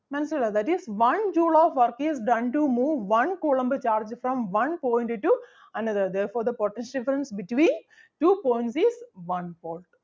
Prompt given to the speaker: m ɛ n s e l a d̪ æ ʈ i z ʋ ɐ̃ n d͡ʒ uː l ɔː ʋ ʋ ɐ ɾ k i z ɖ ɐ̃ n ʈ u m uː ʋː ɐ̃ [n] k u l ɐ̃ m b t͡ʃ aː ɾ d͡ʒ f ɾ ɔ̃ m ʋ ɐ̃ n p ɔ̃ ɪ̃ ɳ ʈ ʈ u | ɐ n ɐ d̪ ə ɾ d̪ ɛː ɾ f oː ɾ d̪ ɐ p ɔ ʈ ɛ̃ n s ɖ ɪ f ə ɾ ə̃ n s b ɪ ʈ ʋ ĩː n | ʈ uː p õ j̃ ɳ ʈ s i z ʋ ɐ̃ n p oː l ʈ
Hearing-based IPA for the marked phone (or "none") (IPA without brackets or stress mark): n